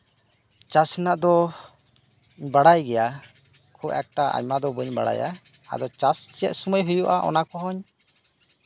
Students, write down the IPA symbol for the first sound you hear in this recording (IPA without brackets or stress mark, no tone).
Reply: t͡ʃ